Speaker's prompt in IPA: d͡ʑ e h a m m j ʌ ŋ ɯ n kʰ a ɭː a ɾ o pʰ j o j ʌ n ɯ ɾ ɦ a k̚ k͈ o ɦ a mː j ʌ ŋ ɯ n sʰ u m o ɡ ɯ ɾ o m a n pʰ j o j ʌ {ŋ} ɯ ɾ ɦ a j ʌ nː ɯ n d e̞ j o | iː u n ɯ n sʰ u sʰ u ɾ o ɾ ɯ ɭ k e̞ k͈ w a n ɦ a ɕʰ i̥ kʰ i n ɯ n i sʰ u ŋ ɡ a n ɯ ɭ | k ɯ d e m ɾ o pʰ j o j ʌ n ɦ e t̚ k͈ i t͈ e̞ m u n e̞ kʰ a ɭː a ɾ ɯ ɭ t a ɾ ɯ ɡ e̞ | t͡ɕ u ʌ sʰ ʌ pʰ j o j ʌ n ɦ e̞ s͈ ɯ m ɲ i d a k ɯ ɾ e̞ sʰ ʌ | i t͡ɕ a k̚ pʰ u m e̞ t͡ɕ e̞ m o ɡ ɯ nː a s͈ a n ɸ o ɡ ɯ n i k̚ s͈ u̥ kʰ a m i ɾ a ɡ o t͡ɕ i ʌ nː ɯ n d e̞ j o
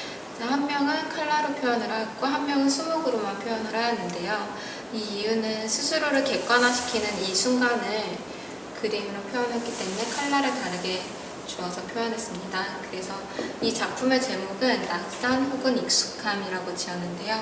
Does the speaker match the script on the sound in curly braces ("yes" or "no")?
no